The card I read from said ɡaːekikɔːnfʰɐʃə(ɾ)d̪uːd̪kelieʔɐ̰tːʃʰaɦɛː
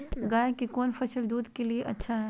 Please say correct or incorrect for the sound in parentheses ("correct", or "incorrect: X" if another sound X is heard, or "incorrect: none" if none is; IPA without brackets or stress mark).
incorrect: l